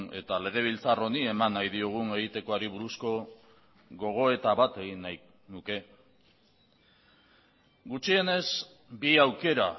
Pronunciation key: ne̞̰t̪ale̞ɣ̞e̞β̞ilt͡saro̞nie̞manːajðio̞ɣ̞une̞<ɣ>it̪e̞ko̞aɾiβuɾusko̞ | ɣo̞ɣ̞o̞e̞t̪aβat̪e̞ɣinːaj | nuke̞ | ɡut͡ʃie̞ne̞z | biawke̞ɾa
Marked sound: correct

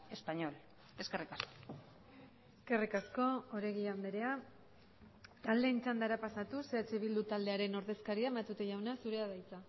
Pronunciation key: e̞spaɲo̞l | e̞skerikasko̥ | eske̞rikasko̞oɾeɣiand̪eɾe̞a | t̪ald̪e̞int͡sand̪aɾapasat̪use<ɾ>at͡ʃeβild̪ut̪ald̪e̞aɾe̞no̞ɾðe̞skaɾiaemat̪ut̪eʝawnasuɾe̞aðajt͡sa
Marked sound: incorrect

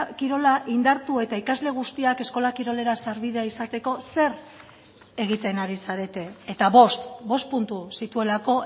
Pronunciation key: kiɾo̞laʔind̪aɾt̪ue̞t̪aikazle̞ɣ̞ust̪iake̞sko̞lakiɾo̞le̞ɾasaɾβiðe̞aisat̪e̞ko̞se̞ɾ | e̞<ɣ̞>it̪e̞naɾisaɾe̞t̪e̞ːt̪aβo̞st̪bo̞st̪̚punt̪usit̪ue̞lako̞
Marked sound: correct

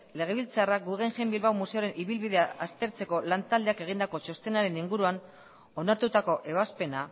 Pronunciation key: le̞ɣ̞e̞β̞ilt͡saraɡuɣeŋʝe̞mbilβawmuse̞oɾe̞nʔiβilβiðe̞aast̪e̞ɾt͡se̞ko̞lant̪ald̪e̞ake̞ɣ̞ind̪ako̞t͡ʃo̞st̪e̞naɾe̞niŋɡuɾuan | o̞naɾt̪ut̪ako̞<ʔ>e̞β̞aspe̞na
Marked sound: correct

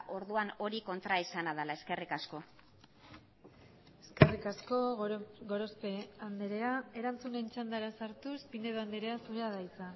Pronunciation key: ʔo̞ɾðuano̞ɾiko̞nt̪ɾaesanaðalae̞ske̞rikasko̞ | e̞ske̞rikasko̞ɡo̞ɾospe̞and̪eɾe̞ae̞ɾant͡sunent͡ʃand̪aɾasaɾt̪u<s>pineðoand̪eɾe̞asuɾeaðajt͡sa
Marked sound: correct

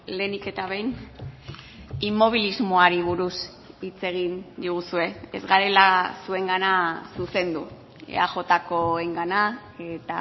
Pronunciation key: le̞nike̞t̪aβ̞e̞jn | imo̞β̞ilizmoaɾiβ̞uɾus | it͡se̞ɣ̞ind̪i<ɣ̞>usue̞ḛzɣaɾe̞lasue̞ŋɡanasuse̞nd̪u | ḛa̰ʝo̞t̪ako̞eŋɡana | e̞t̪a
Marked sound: correct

